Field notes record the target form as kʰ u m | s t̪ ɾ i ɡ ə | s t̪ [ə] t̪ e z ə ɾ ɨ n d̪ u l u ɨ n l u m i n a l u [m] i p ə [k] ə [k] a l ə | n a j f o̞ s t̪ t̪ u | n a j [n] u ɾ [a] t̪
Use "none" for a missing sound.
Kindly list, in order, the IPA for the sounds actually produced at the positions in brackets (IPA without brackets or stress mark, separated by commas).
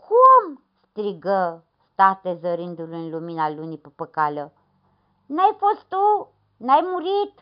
a, n, p, k, m, i